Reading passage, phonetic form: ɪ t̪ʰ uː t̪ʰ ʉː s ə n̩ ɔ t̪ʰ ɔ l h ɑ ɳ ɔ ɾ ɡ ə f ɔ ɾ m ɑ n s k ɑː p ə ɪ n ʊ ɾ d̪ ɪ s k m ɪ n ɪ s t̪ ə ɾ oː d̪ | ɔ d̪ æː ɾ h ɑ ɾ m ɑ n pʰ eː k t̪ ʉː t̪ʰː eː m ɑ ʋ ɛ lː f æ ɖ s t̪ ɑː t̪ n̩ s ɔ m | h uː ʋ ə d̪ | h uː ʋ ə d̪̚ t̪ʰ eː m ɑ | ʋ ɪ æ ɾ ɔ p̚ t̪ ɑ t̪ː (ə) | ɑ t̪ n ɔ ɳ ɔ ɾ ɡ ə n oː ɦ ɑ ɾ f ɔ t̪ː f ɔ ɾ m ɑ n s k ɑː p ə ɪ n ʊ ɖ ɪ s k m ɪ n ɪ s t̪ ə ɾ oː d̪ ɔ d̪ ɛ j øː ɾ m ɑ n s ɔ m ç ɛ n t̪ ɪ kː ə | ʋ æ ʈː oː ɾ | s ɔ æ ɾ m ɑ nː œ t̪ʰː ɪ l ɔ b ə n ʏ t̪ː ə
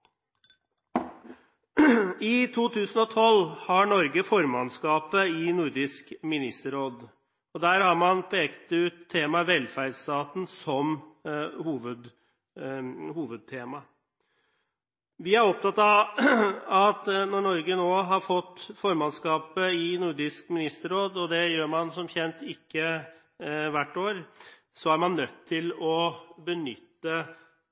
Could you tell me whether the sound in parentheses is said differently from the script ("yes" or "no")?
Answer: yes